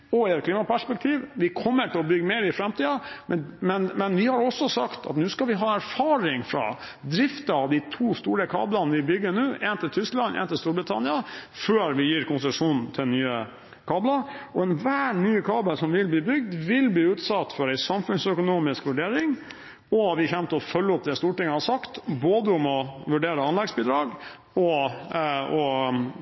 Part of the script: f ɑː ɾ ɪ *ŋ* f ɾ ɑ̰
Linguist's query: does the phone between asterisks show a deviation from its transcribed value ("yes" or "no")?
no